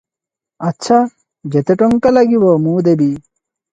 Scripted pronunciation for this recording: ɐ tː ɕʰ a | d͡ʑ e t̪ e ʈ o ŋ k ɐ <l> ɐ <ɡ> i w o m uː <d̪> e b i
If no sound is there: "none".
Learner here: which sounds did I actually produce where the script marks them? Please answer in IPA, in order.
l, ɡ, d̪

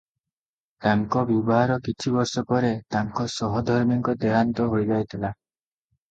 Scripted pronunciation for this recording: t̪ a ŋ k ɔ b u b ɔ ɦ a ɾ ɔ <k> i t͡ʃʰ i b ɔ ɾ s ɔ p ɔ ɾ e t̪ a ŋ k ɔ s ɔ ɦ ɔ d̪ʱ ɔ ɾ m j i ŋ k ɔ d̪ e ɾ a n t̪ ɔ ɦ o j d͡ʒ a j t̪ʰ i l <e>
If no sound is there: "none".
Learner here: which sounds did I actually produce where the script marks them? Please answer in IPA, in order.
k, a

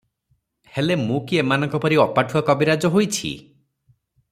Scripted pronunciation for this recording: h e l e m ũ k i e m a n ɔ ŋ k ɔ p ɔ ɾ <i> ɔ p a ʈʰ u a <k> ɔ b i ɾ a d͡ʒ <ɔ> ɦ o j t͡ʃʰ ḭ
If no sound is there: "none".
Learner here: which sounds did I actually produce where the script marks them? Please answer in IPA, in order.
i, k, ɔ

